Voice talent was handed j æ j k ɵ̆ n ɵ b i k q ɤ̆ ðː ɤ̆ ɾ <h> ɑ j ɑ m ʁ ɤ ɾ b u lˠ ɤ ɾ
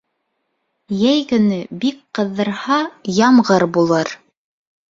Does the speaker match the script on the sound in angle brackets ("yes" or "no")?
yes